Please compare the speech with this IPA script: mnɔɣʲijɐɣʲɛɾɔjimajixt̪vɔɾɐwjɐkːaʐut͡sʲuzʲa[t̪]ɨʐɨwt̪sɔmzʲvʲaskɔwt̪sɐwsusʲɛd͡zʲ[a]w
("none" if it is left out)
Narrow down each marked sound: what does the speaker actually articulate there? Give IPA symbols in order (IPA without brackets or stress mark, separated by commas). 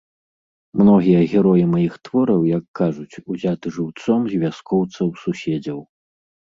t̪, ɐ